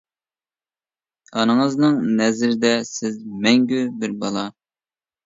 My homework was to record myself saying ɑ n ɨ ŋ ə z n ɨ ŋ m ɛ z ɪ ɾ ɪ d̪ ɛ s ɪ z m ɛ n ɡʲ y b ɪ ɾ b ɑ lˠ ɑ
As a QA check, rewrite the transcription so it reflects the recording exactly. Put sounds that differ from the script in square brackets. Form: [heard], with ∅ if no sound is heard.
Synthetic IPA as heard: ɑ n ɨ ŋ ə z n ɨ ŋ [n] ɛ z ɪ ɾ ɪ d̪ ɛ s ɪ z m ɛ [ŋ] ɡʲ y b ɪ ɾ b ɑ lˠ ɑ

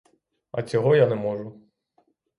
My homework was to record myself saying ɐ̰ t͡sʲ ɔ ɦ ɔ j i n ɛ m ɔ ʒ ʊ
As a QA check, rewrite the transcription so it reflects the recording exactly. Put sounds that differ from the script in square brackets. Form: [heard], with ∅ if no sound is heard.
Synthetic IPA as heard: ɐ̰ t͡sʲ ɔ ɦ ɔ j [a] n ɛ m ɔ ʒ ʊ

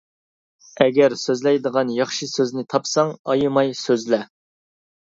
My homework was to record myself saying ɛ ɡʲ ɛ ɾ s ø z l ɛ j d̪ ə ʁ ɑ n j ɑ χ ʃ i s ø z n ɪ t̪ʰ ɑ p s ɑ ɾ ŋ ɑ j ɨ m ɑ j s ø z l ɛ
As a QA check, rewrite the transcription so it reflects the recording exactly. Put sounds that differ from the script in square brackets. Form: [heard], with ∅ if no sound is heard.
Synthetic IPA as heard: ɛ ɡʲ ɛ ɾ s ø z l ɛ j d̪ ə ʁ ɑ n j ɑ χ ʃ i s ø z n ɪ t̪ʰ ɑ p s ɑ [∅] ŋ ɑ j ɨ m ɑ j s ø z l ɛ

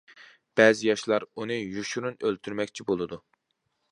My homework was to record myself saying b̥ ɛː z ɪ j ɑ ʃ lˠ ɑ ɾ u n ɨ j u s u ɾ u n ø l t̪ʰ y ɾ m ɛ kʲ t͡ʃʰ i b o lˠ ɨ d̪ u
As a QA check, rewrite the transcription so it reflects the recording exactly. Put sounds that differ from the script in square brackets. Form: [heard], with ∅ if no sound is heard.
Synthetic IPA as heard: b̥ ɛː z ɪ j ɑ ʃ lˠ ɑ ɾ u n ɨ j u [ʃ] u ɾ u n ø l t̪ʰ y ɾ m ɛ kʲ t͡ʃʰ i b o lˠ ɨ d̪ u

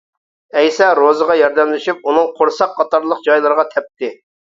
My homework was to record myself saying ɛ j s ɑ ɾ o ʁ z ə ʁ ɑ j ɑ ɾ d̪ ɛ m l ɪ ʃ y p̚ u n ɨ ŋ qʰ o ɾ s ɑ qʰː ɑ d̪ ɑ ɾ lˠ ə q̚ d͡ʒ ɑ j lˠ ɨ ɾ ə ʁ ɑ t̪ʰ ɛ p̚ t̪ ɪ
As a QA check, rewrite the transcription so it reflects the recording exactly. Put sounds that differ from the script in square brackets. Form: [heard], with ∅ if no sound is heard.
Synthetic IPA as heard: ɛ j s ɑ ɾ o [∅] z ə ʁ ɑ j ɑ ɾ d̪ ɛ m l ɪ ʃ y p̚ u n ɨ ŋ qʰ o ɾ s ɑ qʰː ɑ [t̪] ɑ ɾ lˠ ə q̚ d͡ʒ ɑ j lˠ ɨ ɾ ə ʁ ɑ t̪ʰ ɛ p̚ t̪ ɪ

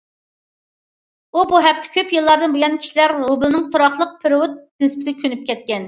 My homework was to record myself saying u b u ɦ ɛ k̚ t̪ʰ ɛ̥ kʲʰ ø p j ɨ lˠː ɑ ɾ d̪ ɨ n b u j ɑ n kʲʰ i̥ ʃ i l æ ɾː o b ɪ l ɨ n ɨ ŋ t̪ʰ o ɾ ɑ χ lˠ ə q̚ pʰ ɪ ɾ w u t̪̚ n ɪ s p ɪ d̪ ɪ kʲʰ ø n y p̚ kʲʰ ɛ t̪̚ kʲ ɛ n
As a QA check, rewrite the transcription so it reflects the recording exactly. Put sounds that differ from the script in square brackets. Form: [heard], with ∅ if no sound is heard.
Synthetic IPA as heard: u b u ɦ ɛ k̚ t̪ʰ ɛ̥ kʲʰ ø p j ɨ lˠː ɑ ɾ d̪ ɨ n b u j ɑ n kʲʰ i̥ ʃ i l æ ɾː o b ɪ l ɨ n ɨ ŋ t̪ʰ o ɾ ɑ χ lˠ ə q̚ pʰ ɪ ɾ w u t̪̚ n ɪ s p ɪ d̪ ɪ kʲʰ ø n y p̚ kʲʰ ɛ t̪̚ kʲ ɛ n

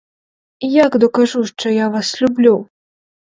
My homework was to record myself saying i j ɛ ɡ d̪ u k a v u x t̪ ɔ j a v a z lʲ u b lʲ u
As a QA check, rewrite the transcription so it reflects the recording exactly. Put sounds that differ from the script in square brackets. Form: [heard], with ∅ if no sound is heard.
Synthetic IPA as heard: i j [a] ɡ d̪ [ɔ] k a [ʐ] u [ʂ] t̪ ɔ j a v a [s] lʲ u b lʲ u

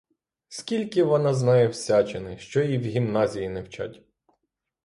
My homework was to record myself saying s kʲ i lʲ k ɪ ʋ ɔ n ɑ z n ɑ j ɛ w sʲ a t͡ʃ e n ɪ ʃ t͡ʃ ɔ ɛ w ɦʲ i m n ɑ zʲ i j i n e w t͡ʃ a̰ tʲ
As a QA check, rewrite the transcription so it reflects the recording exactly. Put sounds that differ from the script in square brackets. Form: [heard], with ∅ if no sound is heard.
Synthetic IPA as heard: s kʲ i lʲ k ɪ ʋ ɔ n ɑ z n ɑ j ɛ w sʲ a t͡ʃ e n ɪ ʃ t͡ʃ ɔ [i] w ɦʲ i m n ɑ zʲ i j i n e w t͡ʃ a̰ tʲ

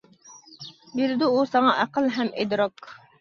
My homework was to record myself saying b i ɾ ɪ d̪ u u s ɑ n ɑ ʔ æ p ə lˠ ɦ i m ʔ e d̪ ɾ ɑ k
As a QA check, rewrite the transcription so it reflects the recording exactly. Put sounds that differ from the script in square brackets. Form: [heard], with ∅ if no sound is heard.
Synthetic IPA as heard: b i ɾ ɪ d̪ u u s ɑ [ŋ] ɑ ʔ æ [q] ə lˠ ɦ [ɛ] m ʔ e d̪ ɾ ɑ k

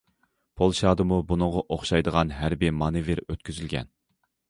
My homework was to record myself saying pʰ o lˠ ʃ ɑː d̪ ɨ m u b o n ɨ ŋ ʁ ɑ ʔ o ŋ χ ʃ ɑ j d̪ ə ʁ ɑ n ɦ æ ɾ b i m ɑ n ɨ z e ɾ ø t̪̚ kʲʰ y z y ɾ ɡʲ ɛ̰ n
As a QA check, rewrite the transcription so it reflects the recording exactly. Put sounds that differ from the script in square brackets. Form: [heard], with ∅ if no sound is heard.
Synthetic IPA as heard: pʰ o lˠ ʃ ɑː d̪ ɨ m u b [u] n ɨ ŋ ʁ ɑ ʔ o [∅] χ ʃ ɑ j d̪ ə ʁ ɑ n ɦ æ ɾ b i m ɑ n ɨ [v] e ɾ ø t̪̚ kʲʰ y z y [l] ɡʲ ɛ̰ n

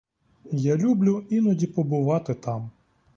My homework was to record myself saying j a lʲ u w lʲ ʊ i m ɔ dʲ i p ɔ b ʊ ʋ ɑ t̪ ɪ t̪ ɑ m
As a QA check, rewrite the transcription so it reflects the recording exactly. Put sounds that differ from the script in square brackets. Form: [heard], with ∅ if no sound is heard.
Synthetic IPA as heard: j a lʲ u [b] lʲ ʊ i [n] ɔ dʲ i p ɔ b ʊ ʋ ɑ t̪ ɪ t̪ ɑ m

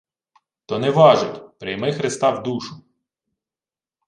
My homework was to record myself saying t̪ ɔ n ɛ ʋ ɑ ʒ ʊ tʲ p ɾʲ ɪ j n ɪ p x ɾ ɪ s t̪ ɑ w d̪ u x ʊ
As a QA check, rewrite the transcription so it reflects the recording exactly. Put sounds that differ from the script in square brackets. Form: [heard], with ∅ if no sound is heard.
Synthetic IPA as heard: t̪ ɔ n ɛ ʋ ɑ ʒ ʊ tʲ p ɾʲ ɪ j [m] ɪ [∅] x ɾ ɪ s t̪ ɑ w d̪ u [ʃ] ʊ

